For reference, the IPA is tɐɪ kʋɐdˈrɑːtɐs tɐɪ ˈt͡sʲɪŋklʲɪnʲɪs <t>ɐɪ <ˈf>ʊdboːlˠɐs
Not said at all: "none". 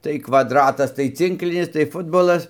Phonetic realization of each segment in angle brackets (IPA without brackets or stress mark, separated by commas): t, f